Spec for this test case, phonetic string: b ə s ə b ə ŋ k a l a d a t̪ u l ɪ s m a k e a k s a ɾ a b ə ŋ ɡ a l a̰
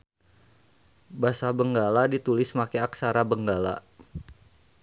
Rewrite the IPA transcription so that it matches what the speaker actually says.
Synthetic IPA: b a s a b ə ŋ ɡ a l a d i t̪ u l ɪ s m a k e a k s a ɾ a b ə ŋ ɡ a l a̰